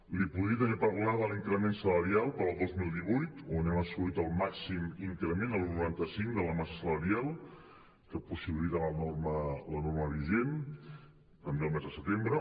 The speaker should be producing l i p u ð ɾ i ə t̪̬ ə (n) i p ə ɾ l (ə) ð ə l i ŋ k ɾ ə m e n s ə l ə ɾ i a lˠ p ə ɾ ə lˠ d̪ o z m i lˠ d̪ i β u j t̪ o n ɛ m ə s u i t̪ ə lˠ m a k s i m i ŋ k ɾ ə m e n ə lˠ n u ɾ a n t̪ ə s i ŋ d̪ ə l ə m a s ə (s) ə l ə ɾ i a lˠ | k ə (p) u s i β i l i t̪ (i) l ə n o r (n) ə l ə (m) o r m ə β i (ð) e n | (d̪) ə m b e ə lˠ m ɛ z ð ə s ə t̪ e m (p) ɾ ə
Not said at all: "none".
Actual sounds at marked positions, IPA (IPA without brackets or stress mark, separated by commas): n, a, s, p, a, m, n, ʒ, t̪, b